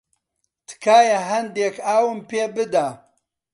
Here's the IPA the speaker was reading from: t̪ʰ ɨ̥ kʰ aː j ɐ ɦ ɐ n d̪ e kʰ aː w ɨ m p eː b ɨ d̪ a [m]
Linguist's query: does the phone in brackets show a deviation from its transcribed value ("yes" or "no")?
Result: yes